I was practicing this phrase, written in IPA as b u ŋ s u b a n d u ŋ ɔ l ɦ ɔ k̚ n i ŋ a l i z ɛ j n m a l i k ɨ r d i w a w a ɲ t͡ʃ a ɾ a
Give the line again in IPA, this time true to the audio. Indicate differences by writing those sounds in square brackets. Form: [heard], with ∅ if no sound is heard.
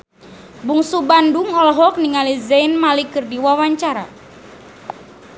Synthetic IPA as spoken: b u ŋ s u b a n d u ŋ ɔ l ɦ ɔ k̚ n i ŋ a l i z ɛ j n m a l i k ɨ r d i w a w a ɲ t͡ʃ a ɾ a